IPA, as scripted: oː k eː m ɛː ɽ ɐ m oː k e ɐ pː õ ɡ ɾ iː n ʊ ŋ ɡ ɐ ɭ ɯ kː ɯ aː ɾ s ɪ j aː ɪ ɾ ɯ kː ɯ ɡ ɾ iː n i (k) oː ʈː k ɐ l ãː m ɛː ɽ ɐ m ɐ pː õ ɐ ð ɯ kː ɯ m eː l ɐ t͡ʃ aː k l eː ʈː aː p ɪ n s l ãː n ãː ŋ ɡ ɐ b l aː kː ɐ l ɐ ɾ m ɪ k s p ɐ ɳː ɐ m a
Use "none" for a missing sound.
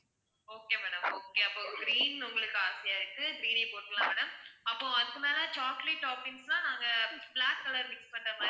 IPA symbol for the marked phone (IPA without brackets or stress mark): p